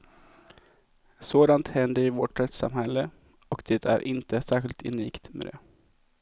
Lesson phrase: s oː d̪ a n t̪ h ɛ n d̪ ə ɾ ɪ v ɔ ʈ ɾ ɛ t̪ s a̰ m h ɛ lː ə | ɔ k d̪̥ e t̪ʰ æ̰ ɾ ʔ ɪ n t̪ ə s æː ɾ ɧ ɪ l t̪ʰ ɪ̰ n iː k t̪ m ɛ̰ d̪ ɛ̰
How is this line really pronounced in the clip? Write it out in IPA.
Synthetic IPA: s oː d̪ a n t̪ h ɛ n d̪ ə ɾ ɪ v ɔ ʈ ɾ ɛ t̪ s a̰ m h ɛ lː ə | ɔ k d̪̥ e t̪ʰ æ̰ ɾ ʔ ɪ n t̪ ə s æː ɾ ɧ ɪ l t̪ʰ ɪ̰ n iː k t̪ m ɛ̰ d̪ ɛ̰